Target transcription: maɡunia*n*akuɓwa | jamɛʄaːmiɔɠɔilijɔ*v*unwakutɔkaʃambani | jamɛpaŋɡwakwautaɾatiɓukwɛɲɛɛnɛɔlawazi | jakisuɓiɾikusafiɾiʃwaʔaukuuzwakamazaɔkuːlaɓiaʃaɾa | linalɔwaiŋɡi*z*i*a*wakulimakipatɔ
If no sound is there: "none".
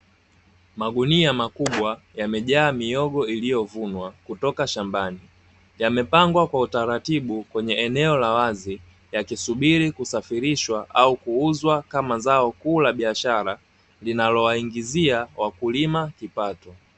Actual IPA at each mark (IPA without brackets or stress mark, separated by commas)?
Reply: m, v, z, a